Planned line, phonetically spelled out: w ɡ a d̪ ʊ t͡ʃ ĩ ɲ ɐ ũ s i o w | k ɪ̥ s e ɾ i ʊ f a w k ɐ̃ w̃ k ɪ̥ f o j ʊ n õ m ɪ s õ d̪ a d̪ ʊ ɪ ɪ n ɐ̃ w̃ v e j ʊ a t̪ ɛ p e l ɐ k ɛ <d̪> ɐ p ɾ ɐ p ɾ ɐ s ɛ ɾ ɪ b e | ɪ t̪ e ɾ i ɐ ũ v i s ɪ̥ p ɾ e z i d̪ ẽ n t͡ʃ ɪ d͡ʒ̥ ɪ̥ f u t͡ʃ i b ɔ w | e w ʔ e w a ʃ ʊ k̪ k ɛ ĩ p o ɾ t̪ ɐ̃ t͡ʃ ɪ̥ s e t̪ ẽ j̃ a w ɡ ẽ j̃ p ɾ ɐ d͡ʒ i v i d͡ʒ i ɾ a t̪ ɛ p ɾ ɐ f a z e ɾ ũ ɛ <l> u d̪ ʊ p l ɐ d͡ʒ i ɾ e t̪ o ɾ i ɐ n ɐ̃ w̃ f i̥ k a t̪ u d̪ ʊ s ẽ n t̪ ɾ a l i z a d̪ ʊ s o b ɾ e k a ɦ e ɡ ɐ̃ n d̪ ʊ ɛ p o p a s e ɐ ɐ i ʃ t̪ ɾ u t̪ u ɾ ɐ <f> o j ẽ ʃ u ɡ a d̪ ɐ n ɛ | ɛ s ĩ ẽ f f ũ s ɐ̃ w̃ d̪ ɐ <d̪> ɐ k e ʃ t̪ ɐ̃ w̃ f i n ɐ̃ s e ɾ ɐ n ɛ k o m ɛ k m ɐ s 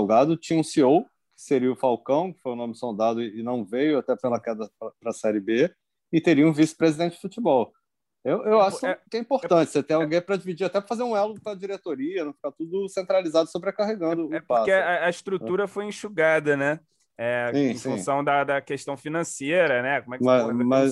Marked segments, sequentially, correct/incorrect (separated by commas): correct, correct, correct, correct